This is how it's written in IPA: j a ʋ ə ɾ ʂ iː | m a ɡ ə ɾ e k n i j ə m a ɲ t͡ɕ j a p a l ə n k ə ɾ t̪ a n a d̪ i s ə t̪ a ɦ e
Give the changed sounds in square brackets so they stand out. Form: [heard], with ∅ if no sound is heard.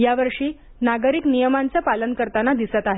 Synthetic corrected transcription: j a ʋ ə ɾ ʂ iː | [n] a ɡ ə ɾ [i] k n i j ə m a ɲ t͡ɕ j a p a l ə n k ə ɾ t̪ a n a d̪ i s ə t̪ a ɦ e